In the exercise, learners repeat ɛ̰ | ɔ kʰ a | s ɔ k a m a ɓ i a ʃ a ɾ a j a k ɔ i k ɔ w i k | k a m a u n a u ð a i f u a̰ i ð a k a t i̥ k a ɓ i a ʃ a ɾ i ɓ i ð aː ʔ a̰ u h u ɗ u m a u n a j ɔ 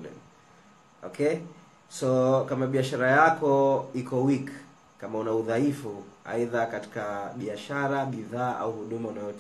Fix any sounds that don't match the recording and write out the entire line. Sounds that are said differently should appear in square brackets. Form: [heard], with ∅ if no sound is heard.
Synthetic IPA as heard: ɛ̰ | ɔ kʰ [ɛ] | s ɔ k a m a ɓ i a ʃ a ɾ a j a k ɔ i k ɔ w i k | k a m a u n a u ð a i f u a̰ i ð a k a t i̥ k a ɓ i a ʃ a ɾ [a] ɓ i ð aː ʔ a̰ u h u ɗ u m a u n a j ɔ